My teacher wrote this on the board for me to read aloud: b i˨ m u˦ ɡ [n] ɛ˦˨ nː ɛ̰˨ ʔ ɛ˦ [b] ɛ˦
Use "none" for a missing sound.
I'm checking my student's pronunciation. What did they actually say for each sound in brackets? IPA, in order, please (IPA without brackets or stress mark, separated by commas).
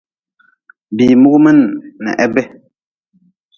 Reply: m, b